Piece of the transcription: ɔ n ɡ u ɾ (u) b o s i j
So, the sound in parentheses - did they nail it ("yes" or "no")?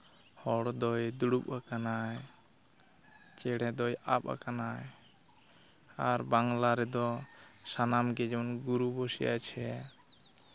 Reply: yes